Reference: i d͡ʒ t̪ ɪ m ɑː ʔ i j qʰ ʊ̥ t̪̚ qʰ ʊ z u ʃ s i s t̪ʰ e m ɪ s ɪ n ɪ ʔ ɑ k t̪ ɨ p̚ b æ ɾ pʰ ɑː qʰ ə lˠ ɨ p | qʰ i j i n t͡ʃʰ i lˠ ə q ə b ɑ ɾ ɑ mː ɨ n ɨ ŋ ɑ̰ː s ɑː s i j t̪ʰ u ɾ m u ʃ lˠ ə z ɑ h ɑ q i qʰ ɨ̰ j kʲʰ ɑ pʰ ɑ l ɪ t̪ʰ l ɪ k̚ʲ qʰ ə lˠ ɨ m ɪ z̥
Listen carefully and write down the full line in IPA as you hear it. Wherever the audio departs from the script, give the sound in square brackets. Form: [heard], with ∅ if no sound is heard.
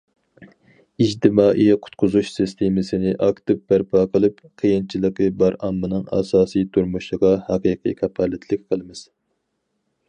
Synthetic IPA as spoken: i d͡ʒ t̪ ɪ m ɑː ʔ i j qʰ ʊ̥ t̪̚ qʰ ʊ z u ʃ s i s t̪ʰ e m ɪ s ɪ n ɪ ʔ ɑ k t̪ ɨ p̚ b æ ɾ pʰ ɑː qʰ ə lˠ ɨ p | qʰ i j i n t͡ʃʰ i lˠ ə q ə b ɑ ɾ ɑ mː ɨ n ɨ ŋ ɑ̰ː s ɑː s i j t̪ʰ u ɾ m u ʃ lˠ ə [ʁ] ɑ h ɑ q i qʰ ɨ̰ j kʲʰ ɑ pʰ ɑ l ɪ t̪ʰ l ɪ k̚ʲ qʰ ə lˠ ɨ m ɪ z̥